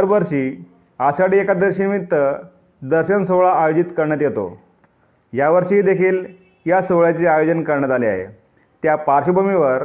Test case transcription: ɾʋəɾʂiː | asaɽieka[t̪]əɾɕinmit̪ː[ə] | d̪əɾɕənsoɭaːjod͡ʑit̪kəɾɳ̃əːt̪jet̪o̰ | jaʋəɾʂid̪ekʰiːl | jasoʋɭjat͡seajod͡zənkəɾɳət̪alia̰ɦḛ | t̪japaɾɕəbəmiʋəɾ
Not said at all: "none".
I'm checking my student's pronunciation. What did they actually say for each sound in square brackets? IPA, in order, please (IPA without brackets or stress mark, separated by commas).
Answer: d̪, ə